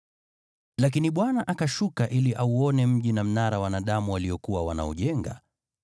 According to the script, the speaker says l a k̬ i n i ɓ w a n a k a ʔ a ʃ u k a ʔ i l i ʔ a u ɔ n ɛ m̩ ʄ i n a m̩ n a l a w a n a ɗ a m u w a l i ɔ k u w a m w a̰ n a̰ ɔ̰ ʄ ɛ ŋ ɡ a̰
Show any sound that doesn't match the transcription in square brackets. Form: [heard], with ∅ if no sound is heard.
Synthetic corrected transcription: l a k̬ i n i ɓ w a n a [ʔ] a [k] a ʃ u k a ʔ i l i ʔ a u ɔ n ɛ m̩ ʄ i n a m̩ n a [ɾ] a w a n a ɗ a m u w a l i ɔ k u w a [∅] w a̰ n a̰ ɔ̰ ʄ ɛ ŋ ɡ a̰

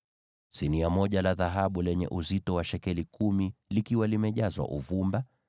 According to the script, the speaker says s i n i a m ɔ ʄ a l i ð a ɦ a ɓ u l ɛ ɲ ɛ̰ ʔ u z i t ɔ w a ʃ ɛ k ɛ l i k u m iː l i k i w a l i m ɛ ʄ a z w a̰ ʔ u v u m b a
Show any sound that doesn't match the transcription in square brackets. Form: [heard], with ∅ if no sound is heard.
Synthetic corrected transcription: s i n i a m ɔ ʄ a l [a] ð a ɦ a ɓ u l ɛ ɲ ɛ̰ ʔ u z i t ɔ w a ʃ ɛ k ɛ l i k u m [i] l i k i w a l i m ɛ ʄ a z w a̰ ʔ u v u m b a

